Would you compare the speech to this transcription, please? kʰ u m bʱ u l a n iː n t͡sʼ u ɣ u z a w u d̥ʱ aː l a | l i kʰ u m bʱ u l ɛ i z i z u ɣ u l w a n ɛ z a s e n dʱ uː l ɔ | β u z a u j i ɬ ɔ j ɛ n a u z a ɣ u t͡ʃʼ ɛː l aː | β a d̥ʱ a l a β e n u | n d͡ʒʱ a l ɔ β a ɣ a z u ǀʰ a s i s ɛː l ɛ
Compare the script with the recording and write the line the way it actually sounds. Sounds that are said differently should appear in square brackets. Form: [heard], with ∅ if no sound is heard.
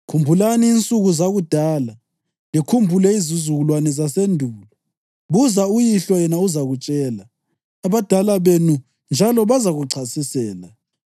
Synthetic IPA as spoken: kʰ u m bʱ u l a n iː n t͡sʼ u ɣ u z a [ɣ] u d̥ʱ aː l a | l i kʰ u m bʱ u l ɛ i z i z u ɣ u l w a n ɛ z a s e n dʱ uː l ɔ | β u z a u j i ɬ ɔ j ɛ n a u z a ɣ u t͡ʃʼ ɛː l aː | β a d̥ʱ a l a β e n u | n d͡ʒʱ a l ɔ β a [z] a [ɣ] u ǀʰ a s i s ɛː l [a]